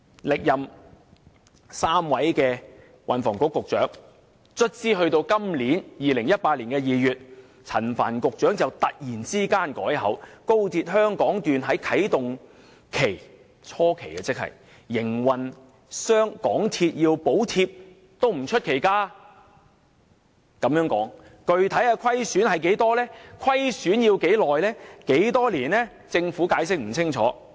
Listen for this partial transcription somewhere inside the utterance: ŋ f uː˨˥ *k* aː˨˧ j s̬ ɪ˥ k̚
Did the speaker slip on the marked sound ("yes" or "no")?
no